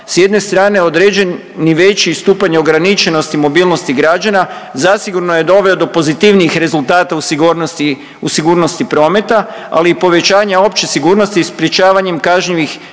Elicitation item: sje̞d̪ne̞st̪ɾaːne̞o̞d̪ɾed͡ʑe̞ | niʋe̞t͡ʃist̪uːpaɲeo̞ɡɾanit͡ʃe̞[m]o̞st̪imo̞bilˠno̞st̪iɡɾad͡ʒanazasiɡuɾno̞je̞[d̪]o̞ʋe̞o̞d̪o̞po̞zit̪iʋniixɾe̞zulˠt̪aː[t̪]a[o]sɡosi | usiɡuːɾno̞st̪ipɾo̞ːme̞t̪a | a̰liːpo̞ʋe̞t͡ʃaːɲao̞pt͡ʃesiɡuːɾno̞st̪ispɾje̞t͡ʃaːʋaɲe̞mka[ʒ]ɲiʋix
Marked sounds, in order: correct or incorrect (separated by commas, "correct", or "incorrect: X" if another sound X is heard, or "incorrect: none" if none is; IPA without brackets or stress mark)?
incorrect: n, correct, correct, incorrect: u, correct